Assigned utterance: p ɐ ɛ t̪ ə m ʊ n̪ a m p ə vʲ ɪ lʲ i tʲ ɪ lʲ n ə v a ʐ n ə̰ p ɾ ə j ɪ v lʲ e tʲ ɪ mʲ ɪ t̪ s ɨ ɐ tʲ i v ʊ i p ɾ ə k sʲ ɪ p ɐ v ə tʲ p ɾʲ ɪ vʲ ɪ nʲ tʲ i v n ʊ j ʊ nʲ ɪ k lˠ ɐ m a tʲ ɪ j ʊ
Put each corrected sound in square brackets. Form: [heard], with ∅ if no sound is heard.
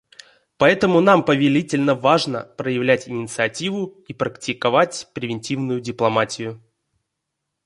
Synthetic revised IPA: p ɐ ɛ t̪ ə m ʊ n̪ a m p ə vʲ ɪ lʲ i tʲ ɪ lʲ n ə v a ʐ n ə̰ p ɾ ə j ɪ v lʲ [æ] tʲ ɪ [nʲ] ɪ t̪ s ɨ ɐ tʲ i v ʊ i p ɾ ə k [tʲ] ɪ [k] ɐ v [a] tʲ p ɾʲ ɪ vʲ ɪ nʲ tʲ i v n ʊ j ʊ [dʲ] ɪ [p] lˠ ɐ m a tʲ ɪ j ʊ